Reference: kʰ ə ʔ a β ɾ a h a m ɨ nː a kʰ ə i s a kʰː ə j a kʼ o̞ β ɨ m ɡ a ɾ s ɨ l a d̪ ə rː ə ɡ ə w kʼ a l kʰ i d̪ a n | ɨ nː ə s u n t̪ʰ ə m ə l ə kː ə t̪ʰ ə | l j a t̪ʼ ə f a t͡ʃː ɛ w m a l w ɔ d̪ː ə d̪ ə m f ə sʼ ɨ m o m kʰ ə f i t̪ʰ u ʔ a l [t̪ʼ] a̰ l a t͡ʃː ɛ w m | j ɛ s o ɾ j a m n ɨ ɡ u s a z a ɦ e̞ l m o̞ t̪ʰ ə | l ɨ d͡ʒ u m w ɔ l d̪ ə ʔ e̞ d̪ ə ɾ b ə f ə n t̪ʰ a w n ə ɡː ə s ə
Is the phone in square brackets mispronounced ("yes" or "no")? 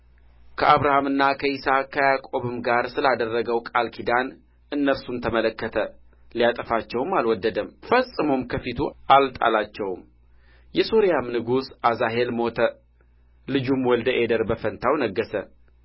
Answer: no